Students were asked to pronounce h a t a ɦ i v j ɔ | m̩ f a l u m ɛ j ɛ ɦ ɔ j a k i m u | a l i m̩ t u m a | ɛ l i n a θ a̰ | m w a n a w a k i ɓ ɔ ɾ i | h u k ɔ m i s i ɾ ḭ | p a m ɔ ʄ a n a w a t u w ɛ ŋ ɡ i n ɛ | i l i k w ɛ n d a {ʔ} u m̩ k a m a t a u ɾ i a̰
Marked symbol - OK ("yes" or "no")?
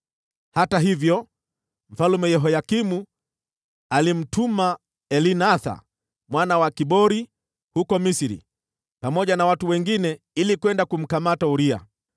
no